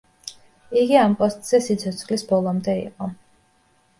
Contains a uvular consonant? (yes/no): yes